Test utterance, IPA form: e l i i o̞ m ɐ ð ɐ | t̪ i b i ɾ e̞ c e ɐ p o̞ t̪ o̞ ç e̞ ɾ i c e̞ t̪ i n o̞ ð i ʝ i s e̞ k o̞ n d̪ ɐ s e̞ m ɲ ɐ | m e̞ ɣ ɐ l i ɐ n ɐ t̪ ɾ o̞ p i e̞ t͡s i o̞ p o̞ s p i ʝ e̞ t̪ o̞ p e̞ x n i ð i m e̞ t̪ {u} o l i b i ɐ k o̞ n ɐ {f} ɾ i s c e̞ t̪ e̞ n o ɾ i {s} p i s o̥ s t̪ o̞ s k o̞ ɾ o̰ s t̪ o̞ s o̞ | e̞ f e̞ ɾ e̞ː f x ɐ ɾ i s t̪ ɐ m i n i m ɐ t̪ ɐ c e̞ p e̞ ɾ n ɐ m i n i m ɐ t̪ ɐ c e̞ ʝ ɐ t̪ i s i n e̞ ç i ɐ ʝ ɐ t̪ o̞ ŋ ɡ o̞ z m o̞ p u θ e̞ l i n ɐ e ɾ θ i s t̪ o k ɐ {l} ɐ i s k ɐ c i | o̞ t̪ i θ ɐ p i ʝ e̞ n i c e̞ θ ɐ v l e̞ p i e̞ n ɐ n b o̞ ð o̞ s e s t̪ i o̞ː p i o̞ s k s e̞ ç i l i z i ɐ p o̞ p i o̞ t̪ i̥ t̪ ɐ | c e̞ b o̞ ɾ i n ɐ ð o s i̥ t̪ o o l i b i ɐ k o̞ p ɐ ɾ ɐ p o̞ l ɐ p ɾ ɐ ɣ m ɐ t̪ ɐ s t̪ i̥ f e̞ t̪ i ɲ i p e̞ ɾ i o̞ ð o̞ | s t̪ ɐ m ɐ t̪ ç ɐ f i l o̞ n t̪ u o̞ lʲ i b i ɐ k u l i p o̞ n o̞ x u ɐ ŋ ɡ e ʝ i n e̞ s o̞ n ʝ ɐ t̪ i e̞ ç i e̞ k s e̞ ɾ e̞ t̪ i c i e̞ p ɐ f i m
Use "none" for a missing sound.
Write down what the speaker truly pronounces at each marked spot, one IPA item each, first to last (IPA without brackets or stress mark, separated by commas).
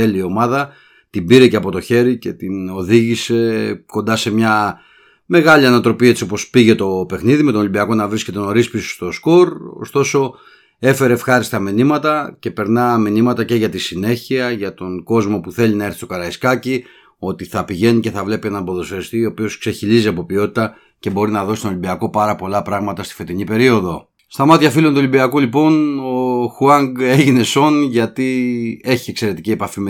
o, v, s, ɾ